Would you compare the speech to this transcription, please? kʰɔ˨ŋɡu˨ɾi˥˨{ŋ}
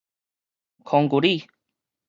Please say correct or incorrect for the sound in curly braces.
incorrect